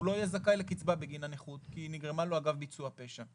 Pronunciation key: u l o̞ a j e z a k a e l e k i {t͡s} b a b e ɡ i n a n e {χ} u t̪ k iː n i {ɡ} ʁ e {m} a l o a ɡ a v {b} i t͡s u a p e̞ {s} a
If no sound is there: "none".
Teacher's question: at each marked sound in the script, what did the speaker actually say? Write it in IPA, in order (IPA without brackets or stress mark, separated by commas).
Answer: t͡s, χ, ɡ, m, b, ʃ